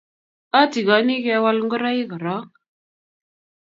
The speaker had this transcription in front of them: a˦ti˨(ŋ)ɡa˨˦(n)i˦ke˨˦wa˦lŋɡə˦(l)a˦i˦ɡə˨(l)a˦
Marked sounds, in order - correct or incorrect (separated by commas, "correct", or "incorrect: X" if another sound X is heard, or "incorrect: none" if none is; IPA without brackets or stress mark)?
incorrect: none, correct, incorrect: ɾ, incorrect: ɾ